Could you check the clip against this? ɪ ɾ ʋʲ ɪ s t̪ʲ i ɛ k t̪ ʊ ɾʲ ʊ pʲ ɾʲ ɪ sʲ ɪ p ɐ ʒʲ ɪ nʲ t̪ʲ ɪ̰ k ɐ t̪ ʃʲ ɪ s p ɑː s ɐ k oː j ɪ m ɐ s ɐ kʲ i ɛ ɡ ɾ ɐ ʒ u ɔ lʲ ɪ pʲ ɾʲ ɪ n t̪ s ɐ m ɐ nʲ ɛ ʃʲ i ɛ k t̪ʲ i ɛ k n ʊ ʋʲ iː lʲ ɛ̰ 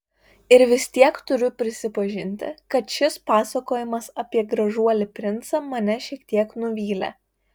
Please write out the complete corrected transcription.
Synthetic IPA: ɪ ɾ ʋʲ ɪ s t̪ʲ i ɛ k t̪ ʊ ɾʲ ʊ pʲ ɾʲ ɪ sʲ ɪ p ɐ ʒʲ ɪ nʲ t̪ʲ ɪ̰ k ɐ t̪ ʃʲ ɪ s p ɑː s ɐ k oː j ɪ m ɐ s ɐ pʲ i ɛ ɡ ɾ ɐ ʒ u ɔ lʲ ɪ pʲ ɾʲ ɪ n t̪ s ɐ m ɐ nʲ ɛ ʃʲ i ɛ k t̪ʲ i ɛ k n ʊ ʋʲ iː lʲ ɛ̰